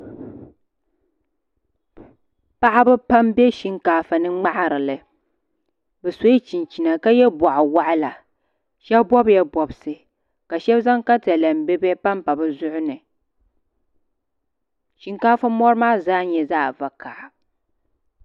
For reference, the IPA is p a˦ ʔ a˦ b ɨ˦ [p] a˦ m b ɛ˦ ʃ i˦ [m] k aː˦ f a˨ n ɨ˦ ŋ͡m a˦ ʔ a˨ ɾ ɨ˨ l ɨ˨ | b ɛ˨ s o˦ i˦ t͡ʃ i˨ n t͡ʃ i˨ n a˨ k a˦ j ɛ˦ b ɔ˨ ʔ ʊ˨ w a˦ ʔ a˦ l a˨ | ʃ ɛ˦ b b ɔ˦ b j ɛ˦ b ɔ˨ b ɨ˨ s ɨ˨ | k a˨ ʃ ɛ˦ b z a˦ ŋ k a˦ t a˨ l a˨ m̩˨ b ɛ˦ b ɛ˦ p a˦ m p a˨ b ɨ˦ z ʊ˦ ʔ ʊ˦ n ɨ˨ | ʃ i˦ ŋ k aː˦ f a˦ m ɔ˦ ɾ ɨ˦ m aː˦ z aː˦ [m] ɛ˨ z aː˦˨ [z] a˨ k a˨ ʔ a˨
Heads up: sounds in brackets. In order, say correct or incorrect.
correct, incorrect: ŋ, incorrect: ɲ, incorrect: v

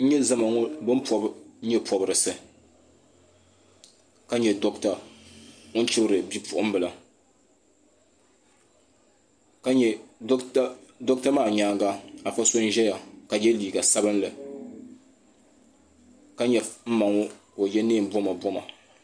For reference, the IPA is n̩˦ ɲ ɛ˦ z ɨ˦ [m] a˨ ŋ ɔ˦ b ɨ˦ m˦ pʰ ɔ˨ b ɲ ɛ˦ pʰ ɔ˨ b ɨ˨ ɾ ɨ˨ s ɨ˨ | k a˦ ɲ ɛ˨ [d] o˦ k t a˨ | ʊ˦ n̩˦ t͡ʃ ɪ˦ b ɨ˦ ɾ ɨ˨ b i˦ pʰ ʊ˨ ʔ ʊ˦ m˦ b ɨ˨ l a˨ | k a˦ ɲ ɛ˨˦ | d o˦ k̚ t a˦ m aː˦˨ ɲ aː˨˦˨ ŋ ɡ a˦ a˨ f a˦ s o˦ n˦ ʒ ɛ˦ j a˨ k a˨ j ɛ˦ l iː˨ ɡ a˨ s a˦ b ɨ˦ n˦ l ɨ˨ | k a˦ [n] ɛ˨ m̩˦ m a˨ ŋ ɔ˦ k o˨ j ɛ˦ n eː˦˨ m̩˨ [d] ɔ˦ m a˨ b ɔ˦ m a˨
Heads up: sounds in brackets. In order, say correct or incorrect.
correct, correct, incorrect: ɲ, incorrect: b

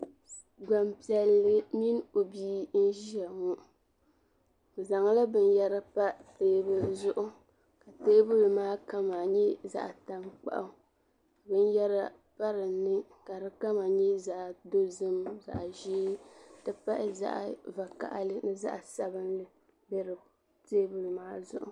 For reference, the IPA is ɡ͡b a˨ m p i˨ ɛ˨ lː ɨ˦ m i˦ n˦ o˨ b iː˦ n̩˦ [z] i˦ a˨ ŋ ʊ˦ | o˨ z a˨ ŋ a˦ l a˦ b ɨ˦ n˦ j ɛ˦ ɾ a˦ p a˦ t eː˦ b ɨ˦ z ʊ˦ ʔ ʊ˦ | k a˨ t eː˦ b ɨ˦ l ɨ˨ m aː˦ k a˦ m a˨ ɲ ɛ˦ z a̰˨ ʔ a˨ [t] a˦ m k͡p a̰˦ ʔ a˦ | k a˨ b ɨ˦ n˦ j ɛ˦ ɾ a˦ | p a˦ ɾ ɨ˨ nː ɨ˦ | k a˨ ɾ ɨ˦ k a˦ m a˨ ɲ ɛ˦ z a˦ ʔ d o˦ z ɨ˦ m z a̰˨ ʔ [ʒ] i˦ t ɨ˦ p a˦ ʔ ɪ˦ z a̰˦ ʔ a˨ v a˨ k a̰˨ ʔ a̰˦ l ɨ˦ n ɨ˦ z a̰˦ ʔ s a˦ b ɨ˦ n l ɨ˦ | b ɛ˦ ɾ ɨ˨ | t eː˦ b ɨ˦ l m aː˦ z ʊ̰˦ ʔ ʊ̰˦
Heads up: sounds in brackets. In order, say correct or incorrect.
incorrect: ʒ, correct, correct

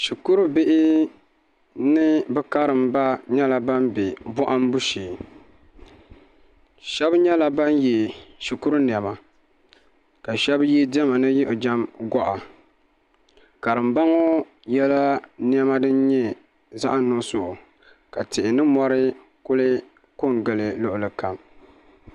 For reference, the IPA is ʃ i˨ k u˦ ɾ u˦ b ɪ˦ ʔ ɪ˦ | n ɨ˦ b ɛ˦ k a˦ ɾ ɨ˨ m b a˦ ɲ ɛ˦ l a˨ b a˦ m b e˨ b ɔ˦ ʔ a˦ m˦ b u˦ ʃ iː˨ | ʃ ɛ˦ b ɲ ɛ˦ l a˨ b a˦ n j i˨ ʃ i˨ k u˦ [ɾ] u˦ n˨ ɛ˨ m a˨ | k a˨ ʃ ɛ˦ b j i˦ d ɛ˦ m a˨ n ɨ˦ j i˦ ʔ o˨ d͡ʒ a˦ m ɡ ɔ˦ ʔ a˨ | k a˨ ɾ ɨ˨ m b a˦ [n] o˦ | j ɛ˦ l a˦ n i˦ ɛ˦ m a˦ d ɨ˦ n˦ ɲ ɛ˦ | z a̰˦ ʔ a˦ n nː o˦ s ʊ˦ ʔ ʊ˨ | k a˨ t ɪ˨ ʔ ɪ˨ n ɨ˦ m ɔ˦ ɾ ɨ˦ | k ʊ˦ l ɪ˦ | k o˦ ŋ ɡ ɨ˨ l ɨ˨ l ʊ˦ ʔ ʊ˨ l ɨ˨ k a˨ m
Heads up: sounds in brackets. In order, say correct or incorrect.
correct, incorrect: ŋ

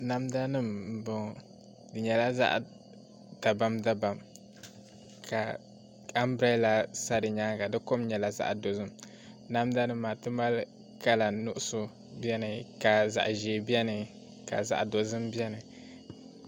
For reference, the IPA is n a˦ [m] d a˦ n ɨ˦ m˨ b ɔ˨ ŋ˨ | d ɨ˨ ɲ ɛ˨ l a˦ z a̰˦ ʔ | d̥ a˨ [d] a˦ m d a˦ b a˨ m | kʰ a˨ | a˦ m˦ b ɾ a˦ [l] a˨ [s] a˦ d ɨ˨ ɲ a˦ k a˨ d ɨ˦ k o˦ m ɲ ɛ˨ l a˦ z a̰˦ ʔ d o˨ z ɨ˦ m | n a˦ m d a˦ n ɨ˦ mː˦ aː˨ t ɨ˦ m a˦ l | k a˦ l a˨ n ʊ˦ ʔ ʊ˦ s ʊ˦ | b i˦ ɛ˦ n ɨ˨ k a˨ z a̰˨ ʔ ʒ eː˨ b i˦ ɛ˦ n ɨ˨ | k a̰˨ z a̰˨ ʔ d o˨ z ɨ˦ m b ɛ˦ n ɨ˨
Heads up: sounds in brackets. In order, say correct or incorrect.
correct, incorrect: b, correct, correct

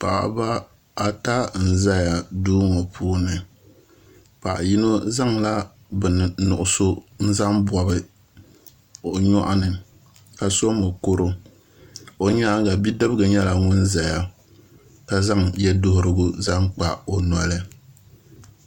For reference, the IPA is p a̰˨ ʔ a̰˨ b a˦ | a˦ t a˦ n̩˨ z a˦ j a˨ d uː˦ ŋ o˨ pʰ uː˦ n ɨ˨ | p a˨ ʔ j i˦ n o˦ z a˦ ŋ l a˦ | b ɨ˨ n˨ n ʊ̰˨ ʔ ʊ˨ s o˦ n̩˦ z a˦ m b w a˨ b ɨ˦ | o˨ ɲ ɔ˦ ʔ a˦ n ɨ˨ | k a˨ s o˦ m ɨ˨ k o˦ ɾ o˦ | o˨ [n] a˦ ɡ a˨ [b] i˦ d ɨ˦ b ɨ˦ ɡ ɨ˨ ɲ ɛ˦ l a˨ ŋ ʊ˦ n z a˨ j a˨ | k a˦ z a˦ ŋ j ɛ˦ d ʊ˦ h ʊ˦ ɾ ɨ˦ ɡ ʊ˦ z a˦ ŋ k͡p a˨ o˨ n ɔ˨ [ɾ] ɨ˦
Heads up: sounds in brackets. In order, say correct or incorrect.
incorrect: ɲ, correct, incorrect: l

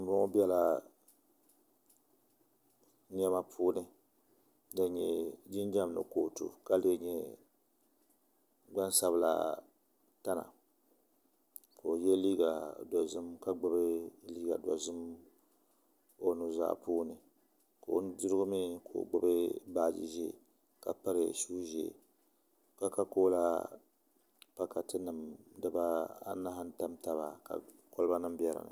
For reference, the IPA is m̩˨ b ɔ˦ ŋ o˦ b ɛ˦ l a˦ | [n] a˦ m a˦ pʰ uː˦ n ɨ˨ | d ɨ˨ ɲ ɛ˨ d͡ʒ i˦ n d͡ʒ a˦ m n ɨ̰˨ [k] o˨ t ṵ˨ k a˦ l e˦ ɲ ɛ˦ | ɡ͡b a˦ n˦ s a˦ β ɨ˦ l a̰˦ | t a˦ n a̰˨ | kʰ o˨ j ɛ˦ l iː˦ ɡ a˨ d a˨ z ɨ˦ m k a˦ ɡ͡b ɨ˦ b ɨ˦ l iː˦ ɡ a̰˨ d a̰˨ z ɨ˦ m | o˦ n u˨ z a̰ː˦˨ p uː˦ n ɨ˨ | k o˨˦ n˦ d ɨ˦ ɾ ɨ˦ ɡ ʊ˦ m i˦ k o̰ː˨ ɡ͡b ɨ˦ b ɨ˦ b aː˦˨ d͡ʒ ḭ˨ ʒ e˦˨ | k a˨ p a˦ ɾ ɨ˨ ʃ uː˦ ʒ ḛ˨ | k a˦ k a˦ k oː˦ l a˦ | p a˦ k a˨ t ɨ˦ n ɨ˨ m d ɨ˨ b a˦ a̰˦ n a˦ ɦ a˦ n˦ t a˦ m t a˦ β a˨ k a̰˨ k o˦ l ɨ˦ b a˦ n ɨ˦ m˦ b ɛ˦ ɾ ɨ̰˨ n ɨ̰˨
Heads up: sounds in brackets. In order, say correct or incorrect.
incorrect: ɲ, correct

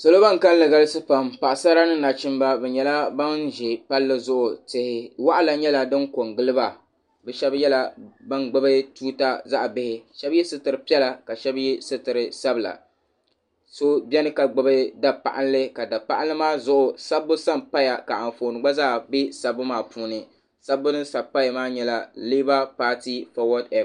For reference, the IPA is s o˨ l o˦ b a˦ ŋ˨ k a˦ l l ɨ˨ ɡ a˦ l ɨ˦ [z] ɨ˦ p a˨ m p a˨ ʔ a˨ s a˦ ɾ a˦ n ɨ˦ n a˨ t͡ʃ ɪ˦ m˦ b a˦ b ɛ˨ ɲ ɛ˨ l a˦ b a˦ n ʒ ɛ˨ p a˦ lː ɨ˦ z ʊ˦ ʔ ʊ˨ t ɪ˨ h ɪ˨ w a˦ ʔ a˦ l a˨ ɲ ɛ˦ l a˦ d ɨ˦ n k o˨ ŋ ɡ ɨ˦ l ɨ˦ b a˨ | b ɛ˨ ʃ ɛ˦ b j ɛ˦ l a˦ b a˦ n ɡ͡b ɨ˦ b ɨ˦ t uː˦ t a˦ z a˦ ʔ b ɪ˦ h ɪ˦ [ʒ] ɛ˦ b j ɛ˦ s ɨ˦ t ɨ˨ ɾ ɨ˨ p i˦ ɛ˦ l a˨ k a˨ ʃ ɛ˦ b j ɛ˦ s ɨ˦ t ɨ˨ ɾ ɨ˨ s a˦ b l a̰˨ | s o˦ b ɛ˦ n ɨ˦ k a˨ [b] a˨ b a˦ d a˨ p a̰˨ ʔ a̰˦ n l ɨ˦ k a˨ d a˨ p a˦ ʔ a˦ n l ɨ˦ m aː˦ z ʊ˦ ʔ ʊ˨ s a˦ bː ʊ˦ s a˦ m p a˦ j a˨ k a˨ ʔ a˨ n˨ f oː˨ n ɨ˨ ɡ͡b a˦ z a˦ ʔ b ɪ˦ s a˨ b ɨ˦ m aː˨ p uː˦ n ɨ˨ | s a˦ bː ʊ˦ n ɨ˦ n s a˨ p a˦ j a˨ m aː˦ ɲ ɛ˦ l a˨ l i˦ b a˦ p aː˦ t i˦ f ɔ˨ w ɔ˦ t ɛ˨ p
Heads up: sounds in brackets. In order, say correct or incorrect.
incorrect: s, incorrect: ʃ, incorrect: ɡ͡b

